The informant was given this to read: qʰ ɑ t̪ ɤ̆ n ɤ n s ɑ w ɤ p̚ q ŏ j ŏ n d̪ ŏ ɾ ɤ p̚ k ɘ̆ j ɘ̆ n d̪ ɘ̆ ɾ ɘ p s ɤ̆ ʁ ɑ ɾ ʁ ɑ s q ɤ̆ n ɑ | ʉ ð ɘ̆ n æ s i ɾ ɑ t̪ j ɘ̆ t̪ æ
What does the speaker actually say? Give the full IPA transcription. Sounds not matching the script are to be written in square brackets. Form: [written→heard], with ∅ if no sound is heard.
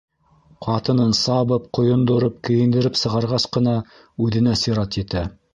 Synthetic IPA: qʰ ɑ t̪ ɤ̆ n ɤ n s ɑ [w→β] ɤ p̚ q ŏ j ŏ n d̪ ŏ ɾ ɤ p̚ k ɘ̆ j ɘ̆ n d̪ ɘ̆ ɾ ɘ p s ɤ̆ ʁ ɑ ɾ ʁ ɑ s q ɤ̆ n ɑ | ʉ ð ɘ̆ n æ s i ɾ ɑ t̪ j ɘ̆ t̪ æ